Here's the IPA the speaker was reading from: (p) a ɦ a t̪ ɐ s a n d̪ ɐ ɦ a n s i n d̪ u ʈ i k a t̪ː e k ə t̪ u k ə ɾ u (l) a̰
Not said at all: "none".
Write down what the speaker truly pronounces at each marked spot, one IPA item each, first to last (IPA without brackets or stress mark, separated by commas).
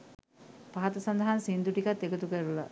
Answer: p, l